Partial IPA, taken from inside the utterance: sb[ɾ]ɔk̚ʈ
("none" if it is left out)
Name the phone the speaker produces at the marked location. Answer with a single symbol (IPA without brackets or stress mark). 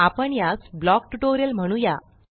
l